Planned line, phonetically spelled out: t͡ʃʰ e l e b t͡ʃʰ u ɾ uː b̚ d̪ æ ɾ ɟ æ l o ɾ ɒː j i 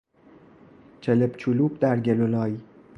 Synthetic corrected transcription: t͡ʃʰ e l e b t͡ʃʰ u l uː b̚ d̪ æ ɾ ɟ e l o l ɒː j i